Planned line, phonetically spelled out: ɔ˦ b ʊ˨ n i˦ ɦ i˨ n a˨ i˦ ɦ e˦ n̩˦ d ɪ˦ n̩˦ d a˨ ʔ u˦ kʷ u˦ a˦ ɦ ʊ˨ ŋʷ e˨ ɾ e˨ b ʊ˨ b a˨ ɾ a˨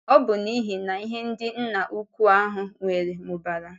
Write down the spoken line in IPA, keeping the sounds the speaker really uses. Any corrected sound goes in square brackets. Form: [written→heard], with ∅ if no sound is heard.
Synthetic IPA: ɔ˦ b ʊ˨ n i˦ ɦ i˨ n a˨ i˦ ɦ e˦ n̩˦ d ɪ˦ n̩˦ [d→n] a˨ ʔ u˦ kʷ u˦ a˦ ɦ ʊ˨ ŋʷ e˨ ɾ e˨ [b→m] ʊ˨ b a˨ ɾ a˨